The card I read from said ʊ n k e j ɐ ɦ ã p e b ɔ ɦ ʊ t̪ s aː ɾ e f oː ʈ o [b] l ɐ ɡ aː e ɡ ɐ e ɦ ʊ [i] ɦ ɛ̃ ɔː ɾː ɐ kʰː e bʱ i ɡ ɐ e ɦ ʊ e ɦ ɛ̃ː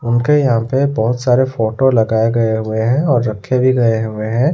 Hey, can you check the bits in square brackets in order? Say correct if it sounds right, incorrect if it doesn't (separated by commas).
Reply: incorrect, incorrect